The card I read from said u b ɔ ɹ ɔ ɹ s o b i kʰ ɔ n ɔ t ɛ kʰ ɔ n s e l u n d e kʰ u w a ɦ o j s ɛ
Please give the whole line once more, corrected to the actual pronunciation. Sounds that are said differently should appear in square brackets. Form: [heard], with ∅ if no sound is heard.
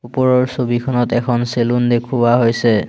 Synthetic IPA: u [p] ɔ ɹ ɔ ɹ s o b i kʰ ɔ n ɔ t ɛ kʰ ɔ n s e l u n d e kʰ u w a ɦ o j s ɛ